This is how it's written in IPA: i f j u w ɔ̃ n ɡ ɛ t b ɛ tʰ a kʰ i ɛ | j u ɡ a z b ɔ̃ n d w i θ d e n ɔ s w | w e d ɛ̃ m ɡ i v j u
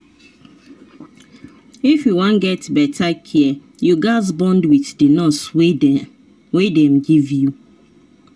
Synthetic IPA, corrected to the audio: i f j u w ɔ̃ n ɡ ɛ t b ɛ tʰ a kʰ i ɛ | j u ɡ a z b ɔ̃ n d w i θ d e n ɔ s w | w e d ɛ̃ m ɡ i v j u